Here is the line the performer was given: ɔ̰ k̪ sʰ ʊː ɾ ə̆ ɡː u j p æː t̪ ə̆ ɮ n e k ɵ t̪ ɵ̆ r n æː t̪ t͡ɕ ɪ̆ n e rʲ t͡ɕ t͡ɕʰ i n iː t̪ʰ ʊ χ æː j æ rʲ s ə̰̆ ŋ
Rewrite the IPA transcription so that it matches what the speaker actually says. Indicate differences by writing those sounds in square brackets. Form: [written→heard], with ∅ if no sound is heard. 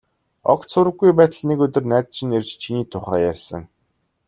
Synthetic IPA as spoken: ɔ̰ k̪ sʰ [ʊː→ʊ] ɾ ə̆ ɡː u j p æː t̪ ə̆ ɮ n e k ɵ t̪ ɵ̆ r n æː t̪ t͡ɕ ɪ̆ n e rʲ t͡ɕ t͡ɕʰ i n iː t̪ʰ ʊ χ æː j æ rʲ s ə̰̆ ŋ